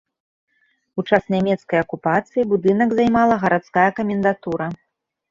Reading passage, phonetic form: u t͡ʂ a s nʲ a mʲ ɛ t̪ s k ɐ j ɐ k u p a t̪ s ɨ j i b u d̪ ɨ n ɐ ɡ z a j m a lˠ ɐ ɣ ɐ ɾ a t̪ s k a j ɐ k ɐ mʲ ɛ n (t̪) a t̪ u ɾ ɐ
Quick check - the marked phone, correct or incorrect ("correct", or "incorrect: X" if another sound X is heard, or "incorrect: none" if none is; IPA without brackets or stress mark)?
incorrect: d̪